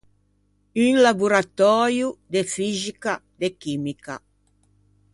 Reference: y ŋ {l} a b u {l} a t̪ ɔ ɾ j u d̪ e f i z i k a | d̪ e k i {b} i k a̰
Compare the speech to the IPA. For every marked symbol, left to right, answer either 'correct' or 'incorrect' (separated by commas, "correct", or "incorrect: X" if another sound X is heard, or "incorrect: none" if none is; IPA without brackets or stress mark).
correct, incorrect: ɾ, incorrect: m